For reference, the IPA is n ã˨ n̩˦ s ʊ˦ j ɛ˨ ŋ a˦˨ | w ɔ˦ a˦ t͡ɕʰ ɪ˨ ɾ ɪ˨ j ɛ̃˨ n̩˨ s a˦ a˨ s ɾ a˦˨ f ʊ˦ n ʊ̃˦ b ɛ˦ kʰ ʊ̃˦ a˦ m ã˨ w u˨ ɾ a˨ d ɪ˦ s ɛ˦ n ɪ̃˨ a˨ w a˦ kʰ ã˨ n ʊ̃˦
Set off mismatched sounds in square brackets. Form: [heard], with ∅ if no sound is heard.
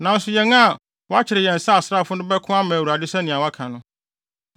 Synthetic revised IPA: n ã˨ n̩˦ s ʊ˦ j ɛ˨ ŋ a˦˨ | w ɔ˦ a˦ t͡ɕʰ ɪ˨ ɾ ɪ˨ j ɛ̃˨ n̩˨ s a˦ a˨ s ɾ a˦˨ f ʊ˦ n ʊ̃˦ b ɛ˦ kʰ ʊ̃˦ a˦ m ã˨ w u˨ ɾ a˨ d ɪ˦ s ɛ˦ n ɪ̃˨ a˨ w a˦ kʰ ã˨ n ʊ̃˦

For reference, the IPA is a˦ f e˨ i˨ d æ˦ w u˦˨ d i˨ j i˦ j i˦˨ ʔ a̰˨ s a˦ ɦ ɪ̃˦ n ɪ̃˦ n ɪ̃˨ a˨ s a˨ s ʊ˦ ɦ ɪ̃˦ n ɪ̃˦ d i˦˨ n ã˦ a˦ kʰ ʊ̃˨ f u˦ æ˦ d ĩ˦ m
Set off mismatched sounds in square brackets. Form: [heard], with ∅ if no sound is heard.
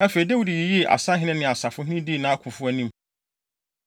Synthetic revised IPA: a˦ f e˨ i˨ d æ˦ w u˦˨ d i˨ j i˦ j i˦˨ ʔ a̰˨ s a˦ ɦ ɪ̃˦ n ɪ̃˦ n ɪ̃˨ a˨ s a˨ [f] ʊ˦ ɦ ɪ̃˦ n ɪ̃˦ d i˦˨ n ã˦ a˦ kʰ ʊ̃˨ f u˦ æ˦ [n] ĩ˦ m

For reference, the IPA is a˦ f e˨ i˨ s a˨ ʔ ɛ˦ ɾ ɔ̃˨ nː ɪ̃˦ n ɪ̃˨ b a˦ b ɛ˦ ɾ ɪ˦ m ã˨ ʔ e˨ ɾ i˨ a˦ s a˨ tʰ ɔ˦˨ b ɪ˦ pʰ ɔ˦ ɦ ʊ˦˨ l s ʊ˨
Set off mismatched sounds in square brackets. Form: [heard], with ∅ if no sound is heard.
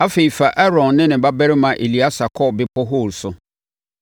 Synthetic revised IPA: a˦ f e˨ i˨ [f] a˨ ʔ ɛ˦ ɾ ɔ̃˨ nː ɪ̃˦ n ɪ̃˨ b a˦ b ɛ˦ ɾ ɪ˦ m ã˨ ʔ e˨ [l] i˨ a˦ s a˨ [kʰ] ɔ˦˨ b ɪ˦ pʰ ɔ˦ ɦ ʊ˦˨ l s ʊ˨

